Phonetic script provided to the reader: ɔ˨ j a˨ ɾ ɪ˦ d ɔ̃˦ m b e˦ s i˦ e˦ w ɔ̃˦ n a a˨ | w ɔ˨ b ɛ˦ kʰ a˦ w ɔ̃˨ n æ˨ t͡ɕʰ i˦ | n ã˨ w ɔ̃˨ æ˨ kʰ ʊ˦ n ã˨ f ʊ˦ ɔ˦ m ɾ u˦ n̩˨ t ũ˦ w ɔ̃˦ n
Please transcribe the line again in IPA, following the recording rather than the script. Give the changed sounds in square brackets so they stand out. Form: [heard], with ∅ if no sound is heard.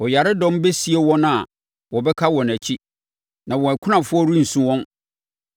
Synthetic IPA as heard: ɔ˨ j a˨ ɾ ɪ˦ d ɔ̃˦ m b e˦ s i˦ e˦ w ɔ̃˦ n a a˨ | w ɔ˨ b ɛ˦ kʰ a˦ w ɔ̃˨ n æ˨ t͡ɕʰ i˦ | n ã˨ w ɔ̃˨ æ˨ kʰ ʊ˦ n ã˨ f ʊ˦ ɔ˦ [∅] ɾ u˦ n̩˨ [s] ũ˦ w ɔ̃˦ n

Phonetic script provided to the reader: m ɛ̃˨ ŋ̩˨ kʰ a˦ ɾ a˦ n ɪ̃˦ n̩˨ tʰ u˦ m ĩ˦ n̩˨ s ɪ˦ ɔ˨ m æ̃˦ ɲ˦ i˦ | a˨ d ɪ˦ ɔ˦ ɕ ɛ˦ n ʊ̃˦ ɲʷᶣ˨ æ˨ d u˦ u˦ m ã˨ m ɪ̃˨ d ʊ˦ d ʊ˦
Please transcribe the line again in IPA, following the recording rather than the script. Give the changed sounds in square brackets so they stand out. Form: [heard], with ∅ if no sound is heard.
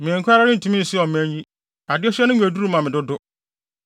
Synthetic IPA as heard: m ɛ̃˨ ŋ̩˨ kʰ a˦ ɾ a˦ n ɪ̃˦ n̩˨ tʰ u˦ m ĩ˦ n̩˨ s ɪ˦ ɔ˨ m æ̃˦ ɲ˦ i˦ | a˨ d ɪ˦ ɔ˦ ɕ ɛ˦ n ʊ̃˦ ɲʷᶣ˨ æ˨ d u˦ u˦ m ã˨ m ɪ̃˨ d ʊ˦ d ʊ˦

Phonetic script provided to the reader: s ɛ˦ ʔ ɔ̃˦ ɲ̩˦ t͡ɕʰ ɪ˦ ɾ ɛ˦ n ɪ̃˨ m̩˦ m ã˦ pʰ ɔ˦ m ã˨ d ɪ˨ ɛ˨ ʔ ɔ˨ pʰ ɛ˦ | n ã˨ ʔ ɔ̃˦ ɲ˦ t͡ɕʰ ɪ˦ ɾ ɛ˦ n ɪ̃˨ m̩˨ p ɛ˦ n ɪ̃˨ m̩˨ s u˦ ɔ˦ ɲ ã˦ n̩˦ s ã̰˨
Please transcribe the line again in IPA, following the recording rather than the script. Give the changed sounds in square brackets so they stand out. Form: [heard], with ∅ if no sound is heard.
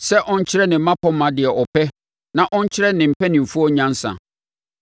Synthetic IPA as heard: s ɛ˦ ʔ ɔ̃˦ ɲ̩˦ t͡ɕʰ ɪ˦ ɾ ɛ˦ n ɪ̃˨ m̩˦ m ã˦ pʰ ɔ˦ m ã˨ d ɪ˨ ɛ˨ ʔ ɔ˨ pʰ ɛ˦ | n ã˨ ʔ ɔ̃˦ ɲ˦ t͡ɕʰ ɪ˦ ɾ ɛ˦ n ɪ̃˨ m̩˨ p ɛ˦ n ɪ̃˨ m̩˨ [f] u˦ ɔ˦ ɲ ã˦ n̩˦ s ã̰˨

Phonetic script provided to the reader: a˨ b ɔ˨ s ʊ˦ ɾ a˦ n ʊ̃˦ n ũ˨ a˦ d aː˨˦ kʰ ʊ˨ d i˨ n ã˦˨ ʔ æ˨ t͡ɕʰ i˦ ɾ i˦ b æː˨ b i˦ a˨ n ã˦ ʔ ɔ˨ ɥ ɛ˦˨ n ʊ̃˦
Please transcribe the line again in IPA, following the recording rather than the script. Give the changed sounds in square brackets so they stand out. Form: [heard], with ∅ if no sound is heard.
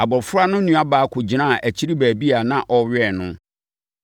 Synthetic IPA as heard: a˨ b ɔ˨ [f] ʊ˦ ɾ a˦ n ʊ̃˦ n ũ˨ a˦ [b] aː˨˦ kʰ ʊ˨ [d͡ʑ] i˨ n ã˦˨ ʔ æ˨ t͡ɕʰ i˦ ɾ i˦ b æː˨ b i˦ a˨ n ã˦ ʔ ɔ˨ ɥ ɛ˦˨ n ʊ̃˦

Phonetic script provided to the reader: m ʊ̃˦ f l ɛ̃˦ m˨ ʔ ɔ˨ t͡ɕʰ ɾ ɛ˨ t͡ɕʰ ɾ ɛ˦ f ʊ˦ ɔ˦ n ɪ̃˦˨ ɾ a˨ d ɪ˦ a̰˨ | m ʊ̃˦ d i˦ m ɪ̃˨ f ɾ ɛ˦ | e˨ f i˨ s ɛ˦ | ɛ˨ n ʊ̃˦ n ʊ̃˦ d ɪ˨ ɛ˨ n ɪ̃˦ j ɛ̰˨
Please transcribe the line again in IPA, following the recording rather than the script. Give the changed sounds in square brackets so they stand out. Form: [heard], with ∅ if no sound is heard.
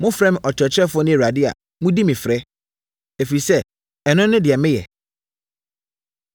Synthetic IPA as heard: m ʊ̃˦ f [ɾ] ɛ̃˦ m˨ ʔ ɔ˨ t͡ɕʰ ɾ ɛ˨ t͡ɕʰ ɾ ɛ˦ f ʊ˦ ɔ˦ n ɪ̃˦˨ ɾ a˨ d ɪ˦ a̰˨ | m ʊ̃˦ d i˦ m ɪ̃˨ f ɾ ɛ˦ | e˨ f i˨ s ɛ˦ | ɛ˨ n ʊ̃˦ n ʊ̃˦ d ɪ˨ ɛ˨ [m] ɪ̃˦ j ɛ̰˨

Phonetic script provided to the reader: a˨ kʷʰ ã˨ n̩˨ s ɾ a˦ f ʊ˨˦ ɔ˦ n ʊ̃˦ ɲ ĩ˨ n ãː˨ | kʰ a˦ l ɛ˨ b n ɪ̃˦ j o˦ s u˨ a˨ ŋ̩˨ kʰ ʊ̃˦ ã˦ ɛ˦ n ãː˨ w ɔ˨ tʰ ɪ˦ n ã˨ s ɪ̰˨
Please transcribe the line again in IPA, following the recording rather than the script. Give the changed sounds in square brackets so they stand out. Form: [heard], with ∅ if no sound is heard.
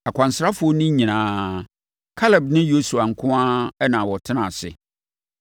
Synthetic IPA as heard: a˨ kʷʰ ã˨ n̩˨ s ɾ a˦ f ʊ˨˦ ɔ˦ n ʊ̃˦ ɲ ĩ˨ n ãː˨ | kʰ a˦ l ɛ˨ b n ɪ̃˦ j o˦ s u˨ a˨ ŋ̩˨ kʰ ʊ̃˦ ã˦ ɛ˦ n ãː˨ w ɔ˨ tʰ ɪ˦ n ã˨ s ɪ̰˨

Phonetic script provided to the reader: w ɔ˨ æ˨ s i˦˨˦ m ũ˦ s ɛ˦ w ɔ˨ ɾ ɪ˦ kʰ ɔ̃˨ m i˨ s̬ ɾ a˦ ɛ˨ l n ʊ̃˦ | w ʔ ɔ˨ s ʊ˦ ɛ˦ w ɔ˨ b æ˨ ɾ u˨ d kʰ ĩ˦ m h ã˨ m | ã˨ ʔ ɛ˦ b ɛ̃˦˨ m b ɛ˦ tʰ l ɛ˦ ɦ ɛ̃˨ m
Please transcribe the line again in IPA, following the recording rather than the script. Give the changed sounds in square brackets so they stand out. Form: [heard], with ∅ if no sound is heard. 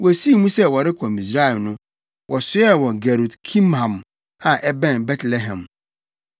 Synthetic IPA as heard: w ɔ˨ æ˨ s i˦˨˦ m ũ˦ s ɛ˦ w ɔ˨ ɾ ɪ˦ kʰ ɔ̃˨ m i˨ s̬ ɾ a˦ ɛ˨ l n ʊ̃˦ | w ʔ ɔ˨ s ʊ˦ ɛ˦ w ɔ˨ [ɡ] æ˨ ɾ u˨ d kʰ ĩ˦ m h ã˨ m | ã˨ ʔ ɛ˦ b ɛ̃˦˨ [n] b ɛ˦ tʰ l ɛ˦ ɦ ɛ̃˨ m

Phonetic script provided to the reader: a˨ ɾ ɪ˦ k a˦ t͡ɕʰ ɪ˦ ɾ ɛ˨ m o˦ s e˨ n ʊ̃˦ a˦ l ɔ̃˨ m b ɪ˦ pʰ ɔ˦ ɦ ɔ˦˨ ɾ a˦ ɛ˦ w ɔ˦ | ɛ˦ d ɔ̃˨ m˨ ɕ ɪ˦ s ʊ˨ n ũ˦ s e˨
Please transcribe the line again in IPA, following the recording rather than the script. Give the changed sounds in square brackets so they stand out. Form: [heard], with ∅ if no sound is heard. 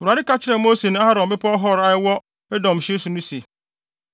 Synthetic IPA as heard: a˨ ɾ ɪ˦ k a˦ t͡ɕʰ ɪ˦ ɾ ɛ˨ m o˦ s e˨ n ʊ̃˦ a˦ [ɾ] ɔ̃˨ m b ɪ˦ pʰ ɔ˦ ɦ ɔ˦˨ ɾ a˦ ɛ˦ w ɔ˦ | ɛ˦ d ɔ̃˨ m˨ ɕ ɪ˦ s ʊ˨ n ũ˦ s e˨

